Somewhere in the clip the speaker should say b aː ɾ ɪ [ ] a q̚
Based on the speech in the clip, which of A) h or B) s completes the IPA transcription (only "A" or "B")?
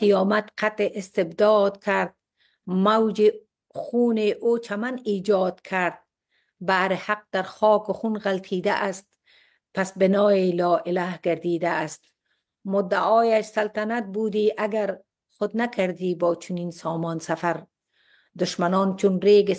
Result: A